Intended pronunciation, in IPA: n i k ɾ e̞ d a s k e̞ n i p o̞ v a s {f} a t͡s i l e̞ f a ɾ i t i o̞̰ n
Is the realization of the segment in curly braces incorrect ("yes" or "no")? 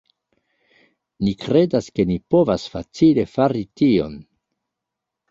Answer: no